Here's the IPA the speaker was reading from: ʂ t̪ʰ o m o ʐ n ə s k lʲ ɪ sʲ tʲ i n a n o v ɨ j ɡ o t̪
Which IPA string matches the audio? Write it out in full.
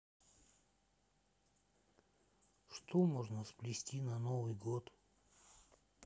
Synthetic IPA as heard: ʂ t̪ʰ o m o ʐ n ə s p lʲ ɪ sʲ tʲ i n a n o v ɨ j ɡ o t̪